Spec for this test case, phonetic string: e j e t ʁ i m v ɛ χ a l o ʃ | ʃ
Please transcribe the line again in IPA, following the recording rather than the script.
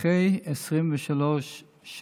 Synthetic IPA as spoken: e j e s ʁ i m v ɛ ʃ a l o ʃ | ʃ